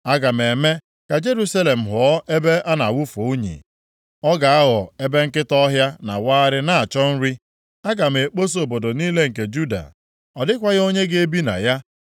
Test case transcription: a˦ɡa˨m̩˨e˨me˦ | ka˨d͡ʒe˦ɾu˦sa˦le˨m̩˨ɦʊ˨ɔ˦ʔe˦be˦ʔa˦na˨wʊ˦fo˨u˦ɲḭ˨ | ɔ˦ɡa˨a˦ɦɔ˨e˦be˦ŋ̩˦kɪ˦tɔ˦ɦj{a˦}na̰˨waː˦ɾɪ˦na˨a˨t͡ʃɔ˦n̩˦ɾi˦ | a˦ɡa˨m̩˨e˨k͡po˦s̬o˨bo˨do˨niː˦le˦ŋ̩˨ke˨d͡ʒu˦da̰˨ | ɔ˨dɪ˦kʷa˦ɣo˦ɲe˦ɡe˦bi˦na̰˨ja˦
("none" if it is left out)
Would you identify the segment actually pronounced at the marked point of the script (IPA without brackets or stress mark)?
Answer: a˦